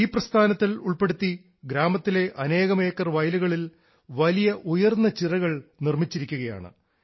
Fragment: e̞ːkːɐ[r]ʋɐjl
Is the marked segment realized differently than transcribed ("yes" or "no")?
no